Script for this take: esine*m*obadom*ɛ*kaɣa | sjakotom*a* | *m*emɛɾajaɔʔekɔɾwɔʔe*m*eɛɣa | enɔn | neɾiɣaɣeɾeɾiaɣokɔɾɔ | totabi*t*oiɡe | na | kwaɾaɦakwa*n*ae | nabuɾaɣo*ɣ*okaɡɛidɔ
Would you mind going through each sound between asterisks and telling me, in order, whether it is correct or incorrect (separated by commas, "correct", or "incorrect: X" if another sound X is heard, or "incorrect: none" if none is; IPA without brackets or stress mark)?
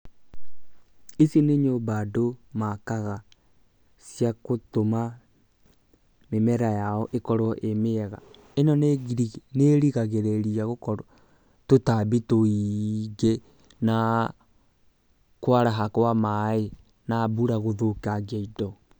incorrect: ɲ, incorrect: a, correct, correct, correct, correct, incorrect: m, incorrect: ð